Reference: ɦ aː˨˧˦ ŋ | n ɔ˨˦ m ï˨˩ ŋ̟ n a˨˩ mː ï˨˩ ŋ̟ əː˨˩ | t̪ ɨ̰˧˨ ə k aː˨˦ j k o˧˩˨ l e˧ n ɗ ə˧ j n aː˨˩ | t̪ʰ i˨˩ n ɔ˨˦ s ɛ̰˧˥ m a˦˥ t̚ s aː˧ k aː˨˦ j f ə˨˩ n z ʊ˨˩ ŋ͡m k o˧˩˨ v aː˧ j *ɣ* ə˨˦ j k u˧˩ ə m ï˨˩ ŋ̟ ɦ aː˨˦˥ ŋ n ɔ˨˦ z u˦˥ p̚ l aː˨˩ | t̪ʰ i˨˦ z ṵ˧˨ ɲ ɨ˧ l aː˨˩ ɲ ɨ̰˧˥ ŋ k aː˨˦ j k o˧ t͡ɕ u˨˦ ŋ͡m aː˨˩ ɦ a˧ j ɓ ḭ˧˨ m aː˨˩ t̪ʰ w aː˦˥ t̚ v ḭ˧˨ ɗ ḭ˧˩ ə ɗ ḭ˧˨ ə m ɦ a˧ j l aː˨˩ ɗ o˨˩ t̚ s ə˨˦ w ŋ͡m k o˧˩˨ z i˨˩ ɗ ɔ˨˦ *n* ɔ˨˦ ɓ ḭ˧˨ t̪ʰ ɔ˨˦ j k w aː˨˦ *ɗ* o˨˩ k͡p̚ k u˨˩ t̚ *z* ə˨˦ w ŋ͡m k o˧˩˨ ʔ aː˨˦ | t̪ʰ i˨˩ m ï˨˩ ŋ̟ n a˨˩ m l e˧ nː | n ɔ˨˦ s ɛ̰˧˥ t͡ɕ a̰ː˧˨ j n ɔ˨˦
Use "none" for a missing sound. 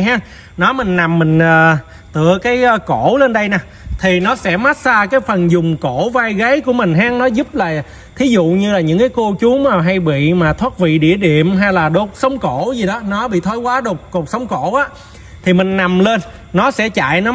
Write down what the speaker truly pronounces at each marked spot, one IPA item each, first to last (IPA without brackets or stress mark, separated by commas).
ɣ, n, ɗ, s